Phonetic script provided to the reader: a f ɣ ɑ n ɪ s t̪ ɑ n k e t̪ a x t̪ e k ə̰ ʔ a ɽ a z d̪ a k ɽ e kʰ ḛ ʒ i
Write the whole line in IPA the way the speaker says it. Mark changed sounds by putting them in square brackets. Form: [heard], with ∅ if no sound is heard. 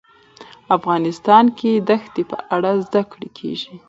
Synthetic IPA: a f ɣ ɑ n ɪ s t̪ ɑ n k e [d̪] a x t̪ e [p] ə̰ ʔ a ɽ a z d̪ a k ɽ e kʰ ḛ ʒ i